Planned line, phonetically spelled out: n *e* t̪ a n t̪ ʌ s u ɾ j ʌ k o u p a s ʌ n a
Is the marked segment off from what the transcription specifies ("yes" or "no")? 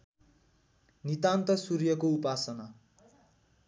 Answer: yes